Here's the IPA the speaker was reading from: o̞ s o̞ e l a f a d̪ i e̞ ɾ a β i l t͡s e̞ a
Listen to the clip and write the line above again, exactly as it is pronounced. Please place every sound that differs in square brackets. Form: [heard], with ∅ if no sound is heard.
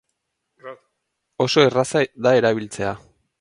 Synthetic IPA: o̞ s o̞ e [r] a [s] a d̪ [a] e̞ ɾ a β i l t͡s e̞ a